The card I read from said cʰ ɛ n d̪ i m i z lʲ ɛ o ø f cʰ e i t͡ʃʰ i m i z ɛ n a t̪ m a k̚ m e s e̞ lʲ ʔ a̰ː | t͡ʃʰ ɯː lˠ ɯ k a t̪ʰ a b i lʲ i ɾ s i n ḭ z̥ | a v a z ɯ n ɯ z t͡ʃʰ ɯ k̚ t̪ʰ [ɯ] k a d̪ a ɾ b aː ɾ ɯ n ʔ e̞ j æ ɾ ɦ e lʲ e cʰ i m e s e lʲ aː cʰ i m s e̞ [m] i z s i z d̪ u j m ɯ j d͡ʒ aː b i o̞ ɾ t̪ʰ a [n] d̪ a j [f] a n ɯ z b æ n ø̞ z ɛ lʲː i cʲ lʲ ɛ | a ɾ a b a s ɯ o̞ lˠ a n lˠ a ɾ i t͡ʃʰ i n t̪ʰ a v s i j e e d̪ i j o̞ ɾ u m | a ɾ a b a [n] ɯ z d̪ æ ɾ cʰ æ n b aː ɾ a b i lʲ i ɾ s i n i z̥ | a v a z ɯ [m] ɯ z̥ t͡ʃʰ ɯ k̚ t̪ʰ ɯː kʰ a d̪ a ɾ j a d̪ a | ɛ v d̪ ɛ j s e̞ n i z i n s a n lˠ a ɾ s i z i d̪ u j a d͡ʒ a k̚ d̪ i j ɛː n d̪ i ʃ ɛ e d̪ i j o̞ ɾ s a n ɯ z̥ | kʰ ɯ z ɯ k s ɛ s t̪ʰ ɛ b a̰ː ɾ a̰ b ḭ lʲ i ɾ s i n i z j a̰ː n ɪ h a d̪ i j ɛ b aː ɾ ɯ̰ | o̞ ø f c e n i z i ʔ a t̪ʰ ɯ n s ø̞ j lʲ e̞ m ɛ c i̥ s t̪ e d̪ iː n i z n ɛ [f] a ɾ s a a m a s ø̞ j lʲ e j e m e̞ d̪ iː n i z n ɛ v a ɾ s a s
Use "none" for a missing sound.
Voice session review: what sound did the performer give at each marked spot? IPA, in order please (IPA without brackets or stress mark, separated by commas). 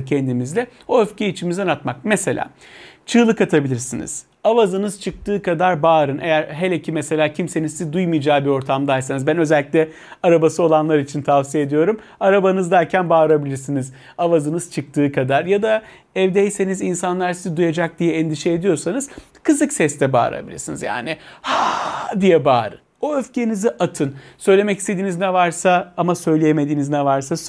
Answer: ɯː, n, m, s, n, n, v